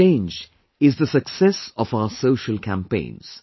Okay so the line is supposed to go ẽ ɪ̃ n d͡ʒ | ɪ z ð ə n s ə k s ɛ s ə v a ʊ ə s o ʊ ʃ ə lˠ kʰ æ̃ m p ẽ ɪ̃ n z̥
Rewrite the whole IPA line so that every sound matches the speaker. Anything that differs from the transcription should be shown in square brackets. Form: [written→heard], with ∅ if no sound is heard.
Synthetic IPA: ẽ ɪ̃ n d͡ʒ | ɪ z ð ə [n→∅] s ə k s ɛ s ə v a ʊ ə s o ʊ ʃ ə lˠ kʰ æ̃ m p ẽ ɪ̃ n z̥